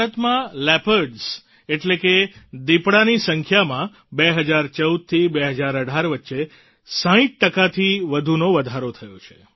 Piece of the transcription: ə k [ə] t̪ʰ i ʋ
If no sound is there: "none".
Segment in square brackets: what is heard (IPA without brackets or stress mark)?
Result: a